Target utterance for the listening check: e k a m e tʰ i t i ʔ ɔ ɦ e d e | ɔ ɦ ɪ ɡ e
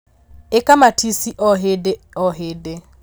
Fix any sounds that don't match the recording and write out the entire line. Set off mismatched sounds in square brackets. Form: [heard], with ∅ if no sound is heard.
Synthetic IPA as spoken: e k a m [a] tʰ i [s] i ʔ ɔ ɦ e d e | ɔ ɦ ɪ [d] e